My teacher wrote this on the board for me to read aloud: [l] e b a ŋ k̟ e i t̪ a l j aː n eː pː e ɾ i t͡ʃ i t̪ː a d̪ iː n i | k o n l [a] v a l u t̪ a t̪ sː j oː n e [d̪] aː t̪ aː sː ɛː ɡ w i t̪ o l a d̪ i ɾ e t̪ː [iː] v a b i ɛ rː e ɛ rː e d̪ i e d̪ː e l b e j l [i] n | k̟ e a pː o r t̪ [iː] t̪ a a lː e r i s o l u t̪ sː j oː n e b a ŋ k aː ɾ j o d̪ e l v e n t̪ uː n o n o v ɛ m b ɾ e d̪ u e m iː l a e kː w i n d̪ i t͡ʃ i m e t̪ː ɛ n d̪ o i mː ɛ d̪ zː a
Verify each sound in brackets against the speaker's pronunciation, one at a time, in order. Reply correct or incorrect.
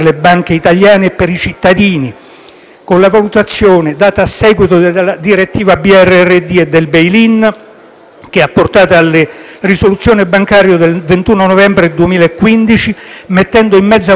correct, correct, correct, correct, correct, incorrect: aː

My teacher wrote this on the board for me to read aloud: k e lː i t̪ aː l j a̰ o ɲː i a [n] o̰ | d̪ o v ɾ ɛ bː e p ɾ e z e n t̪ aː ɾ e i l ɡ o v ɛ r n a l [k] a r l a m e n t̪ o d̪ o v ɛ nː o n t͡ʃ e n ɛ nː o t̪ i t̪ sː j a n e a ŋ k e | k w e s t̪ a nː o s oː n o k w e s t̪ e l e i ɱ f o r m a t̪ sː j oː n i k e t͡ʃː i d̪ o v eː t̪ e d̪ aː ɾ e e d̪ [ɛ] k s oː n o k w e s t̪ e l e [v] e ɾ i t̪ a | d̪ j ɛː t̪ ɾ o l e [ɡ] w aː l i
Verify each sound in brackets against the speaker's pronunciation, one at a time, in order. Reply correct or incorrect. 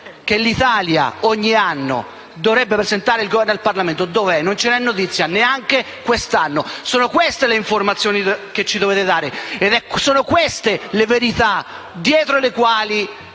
incorrect: nː, incorrect: p, correct, correct, incorrect: k

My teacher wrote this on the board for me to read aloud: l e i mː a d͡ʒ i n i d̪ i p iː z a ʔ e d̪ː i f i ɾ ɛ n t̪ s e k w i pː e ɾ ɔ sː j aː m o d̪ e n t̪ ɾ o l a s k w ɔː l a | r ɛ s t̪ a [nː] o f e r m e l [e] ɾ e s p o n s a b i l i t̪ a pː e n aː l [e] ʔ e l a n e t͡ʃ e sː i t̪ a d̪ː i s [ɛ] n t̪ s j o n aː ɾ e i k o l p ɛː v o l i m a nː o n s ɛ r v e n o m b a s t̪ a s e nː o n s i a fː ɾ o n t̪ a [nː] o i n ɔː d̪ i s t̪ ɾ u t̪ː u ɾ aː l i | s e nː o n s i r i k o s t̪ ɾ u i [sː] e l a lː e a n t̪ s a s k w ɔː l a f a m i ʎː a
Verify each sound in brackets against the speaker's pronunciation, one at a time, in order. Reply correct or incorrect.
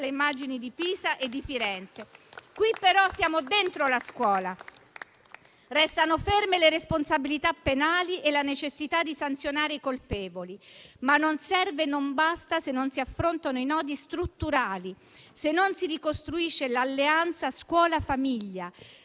incorrect: n, correct, incorrect: i, incorrect: a, incorrect: n, incorrect: ʃː

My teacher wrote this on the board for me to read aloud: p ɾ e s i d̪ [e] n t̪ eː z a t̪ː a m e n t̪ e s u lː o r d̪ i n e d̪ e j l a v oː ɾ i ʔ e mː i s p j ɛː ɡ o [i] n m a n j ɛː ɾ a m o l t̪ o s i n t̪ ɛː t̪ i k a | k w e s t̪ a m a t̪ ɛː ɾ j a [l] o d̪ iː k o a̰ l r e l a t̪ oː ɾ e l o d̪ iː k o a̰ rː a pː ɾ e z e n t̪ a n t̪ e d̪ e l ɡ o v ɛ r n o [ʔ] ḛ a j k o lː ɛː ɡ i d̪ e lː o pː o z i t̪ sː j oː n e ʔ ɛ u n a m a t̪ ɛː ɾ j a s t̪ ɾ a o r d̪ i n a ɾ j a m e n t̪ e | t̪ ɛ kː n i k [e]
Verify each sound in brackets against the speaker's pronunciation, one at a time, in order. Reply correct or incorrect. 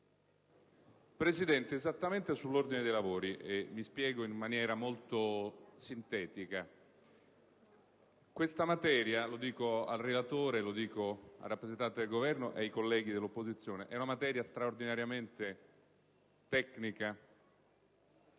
incorrect: ɛ, correct, correct, correct, incorrect: a

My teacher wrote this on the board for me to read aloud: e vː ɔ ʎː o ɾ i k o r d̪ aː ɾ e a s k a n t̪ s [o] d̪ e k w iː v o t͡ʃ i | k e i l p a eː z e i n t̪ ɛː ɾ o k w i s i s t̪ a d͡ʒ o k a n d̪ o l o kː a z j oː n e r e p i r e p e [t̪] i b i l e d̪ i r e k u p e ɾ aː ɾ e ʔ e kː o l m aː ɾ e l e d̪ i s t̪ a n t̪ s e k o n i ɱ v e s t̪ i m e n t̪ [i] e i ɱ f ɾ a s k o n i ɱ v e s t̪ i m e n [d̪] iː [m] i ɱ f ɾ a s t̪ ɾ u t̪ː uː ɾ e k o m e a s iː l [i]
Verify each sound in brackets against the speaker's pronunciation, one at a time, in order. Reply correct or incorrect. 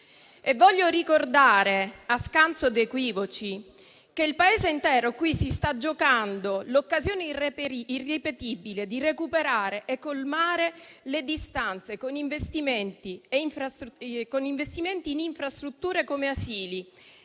correct, correct, correct, incorrect: t̪, incorrect: n, correct

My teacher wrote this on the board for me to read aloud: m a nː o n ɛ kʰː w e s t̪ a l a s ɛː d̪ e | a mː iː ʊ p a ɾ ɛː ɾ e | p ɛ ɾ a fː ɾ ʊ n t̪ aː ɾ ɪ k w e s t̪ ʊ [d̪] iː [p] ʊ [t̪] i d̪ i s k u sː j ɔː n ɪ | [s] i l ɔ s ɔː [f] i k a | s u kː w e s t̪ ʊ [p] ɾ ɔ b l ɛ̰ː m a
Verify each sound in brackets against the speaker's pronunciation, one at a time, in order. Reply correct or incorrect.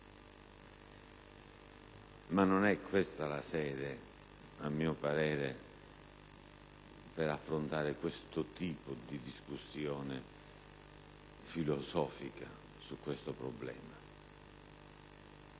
incorrect: t̪, correct, incorrect: d̪, incorrect: f, correct, correct

